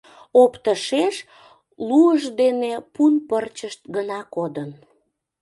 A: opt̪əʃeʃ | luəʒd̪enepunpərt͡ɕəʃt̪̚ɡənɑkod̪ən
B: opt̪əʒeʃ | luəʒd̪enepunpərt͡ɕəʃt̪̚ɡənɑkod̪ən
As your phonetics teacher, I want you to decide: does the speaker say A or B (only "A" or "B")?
A